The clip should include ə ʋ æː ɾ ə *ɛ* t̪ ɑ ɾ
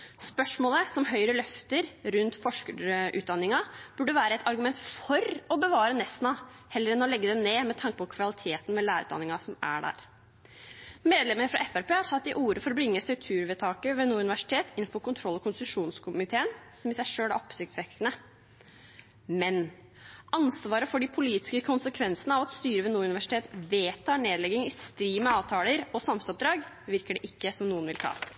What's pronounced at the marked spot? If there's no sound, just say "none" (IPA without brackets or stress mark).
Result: ɛ